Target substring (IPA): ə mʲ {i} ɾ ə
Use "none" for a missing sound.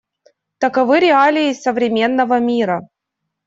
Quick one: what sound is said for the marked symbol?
i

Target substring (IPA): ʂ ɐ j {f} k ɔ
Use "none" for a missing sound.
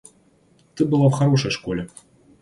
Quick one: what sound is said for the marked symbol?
ʂ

